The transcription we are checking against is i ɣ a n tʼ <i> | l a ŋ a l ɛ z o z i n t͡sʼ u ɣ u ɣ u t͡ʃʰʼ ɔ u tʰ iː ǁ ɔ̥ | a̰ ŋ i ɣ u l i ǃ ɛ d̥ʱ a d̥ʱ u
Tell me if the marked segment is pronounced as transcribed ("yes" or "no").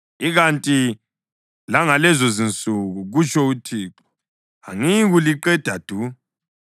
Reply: yes